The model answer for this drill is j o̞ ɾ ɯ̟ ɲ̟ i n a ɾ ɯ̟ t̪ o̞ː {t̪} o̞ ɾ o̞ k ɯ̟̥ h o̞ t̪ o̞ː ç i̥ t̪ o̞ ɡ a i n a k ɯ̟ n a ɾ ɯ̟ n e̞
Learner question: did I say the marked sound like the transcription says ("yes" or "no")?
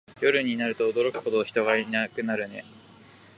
no